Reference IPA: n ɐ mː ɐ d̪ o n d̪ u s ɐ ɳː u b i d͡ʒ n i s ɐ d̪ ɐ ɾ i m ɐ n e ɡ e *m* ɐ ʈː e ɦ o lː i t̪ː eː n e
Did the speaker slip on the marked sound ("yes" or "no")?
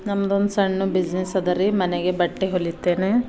yes